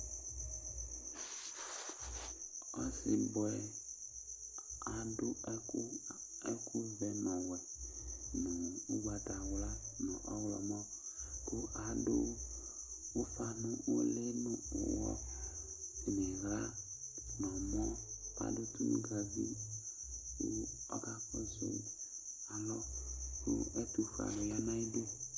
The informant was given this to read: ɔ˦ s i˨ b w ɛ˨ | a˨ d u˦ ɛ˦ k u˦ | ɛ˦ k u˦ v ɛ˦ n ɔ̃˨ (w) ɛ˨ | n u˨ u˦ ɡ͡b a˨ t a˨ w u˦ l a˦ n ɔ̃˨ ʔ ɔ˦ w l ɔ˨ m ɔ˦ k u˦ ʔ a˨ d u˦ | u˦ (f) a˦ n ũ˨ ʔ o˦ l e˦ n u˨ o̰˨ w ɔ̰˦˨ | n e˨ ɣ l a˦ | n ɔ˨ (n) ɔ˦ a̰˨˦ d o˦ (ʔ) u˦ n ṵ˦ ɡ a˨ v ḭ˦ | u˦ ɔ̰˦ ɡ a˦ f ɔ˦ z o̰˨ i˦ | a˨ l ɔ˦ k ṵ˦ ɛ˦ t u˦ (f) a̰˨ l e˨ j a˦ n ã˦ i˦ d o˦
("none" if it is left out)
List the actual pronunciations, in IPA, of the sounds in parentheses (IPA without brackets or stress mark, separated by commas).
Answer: w, f, m, t, f